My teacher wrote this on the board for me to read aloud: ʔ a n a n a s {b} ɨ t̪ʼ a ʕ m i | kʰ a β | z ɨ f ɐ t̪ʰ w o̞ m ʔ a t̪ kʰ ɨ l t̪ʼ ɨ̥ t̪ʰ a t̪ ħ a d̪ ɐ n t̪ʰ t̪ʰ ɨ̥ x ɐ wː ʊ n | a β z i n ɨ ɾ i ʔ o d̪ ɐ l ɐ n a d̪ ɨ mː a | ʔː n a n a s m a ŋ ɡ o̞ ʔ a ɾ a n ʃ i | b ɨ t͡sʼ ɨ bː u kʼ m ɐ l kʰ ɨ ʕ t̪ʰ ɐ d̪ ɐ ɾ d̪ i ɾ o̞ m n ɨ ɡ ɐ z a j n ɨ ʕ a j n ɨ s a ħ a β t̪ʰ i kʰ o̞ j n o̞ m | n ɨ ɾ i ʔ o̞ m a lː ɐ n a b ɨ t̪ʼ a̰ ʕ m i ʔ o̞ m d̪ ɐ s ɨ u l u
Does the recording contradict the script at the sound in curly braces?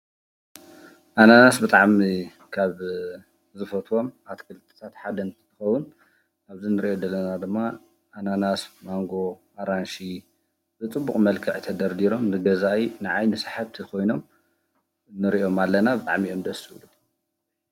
no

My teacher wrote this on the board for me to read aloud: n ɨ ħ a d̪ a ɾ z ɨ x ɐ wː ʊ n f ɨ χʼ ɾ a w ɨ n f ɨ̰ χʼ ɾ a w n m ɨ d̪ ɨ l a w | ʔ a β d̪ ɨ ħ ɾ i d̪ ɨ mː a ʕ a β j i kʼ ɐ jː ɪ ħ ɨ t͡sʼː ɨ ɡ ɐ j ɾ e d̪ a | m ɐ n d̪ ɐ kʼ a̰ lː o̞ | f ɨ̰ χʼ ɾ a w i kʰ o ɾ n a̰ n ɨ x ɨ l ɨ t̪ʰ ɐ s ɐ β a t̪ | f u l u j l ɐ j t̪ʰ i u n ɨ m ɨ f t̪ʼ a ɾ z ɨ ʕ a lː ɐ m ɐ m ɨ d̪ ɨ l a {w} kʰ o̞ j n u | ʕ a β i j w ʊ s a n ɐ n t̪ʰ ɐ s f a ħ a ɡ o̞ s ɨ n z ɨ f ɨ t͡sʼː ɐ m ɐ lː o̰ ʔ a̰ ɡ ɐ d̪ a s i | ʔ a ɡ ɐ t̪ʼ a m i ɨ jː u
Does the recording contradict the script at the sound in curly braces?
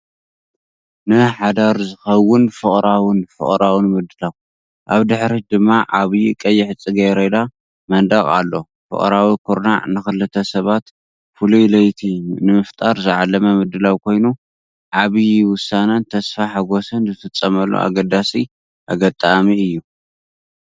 no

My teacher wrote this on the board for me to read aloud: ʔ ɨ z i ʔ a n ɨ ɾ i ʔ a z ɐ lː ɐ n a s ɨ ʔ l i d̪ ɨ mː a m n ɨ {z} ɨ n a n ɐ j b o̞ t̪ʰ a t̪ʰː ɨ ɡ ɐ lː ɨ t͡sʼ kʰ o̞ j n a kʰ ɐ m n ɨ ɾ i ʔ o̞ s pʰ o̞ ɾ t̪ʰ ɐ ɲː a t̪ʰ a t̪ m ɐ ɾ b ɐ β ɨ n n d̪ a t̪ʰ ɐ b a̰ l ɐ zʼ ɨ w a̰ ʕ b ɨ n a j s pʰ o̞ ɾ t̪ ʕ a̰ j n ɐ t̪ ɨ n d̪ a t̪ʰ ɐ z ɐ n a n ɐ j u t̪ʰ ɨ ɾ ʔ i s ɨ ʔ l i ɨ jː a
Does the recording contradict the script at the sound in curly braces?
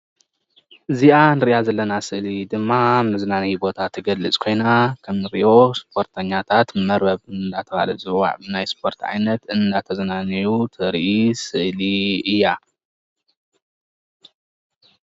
no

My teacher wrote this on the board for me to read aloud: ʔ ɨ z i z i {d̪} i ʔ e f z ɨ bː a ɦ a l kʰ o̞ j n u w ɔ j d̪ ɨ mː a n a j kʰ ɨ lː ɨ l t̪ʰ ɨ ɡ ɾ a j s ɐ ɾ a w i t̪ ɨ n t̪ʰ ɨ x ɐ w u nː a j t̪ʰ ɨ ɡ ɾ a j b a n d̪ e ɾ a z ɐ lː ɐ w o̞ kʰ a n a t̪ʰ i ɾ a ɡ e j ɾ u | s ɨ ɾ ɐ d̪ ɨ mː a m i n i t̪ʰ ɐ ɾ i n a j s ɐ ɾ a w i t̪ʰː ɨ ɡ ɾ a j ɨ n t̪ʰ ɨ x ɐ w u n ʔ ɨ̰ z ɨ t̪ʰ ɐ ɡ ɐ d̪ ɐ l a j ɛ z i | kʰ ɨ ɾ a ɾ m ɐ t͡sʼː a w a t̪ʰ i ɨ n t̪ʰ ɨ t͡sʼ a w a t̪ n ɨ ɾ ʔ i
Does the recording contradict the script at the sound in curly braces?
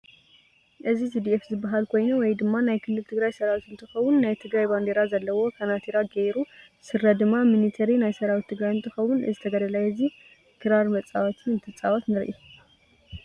no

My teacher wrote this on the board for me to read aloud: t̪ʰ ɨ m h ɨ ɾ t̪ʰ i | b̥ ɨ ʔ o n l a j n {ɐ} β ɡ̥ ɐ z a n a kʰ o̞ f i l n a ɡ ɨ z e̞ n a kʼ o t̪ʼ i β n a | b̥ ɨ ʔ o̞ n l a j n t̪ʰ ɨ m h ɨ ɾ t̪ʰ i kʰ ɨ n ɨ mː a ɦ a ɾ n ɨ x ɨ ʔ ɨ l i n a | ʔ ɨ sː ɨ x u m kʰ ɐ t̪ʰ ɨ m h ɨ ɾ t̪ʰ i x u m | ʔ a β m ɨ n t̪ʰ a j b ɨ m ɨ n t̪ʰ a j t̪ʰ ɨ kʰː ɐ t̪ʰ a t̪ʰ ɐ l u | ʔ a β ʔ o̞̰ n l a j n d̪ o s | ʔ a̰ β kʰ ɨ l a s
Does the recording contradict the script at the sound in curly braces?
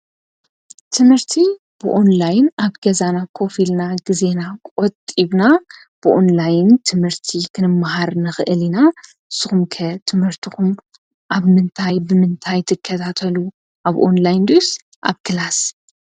yes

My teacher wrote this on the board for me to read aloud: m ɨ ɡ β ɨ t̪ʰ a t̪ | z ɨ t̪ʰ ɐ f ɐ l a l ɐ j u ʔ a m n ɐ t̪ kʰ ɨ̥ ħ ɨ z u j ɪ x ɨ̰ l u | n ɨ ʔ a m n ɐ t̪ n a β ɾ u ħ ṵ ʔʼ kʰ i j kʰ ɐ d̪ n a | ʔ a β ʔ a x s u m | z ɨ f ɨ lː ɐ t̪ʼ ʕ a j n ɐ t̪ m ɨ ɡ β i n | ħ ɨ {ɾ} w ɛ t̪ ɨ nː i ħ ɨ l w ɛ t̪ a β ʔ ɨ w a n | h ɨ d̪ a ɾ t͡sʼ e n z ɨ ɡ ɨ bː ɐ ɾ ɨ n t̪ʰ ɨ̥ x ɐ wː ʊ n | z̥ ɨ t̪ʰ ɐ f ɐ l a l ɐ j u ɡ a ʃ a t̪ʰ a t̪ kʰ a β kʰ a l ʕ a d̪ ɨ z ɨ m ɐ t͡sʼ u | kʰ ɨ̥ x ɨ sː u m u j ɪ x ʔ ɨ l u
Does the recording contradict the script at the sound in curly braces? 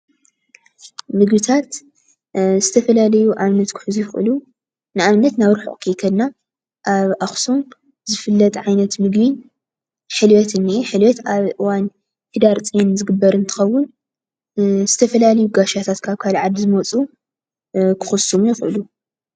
yes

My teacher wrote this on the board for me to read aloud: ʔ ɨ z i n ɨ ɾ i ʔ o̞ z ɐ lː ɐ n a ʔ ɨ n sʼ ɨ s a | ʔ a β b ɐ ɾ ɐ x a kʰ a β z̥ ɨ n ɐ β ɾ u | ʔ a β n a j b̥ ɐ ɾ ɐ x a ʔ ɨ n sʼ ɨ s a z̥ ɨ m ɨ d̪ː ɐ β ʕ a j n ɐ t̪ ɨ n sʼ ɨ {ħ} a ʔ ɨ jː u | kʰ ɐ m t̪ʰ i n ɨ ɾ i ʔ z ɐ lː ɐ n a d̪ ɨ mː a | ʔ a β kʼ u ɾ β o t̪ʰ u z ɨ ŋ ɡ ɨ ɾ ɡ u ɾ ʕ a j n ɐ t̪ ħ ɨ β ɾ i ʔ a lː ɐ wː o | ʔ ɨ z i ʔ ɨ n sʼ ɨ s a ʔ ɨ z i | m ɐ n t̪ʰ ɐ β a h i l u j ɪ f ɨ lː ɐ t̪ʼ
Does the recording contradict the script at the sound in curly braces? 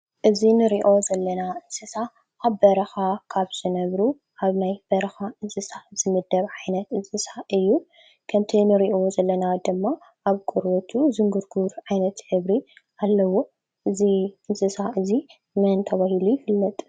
yes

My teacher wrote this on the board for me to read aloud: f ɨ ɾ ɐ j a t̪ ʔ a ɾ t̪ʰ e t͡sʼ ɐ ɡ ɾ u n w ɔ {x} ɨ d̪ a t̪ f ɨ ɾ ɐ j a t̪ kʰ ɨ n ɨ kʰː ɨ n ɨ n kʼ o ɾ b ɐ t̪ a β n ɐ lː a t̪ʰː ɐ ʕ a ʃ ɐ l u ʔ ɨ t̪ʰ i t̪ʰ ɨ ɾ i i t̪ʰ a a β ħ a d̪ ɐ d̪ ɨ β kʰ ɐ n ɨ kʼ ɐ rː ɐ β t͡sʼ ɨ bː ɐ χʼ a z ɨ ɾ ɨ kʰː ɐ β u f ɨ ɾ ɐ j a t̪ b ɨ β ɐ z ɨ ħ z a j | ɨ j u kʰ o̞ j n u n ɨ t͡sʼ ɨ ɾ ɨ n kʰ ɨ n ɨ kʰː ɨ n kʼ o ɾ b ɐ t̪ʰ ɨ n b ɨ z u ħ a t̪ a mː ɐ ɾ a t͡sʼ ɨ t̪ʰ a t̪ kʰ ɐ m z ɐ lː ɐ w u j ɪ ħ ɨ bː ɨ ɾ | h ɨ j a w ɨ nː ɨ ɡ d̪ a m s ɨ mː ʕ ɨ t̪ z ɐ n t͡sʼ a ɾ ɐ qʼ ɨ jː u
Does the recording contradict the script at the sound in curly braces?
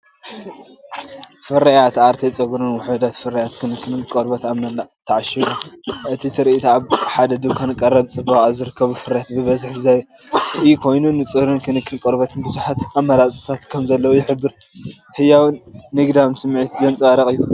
yes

